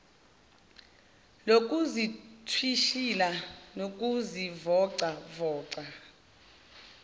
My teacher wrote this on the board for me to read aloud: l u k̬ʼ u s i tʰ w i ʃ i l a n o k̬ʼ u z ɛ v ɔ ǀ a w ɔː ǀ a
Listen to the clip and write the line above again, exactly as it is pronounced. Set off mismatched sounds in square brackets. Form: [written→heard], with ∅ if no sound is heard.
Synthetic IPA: l [u→o] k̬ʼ u [s→z] i tʰ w i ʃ i l a n o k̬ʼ u z [ɛ→i] v ɔ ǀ a [w→v] ɔː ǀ a